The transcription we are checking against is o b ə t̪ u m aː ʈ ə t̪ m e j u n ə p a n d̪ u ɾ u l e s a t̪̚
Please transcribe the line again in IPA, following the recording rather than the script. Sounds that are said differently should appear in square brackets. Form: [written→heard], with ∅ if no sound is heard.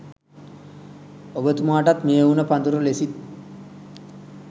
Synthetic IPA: o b ə t̪ u m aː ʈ [ə→a] t̪ m e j u n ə p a n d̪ u ɾ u l e s [a→i] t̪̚